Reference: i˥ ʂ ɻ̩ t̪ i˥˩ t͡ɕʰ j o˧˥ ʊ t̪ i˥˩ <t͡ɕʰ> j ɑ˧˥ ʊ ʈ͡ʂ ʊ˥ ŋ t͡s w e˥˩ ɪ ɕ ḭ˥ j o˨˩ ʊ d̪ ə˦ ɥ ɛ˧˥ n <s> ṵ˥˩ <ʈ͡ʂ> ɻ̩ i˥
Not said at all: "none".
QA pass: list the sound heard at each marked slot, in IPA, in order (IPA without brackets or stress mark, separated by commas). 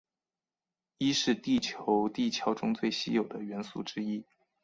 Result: t͡ɕʰ, s, ʈ͡ʂ